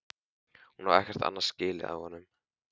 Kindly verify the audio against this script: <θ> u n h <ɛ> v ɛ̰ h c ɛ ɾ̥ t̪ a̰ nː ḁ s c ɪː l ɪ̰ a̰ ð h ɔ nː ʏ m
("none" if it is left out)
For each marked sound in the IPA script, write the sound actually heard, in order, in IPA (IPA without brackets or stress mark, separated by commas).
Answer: h, a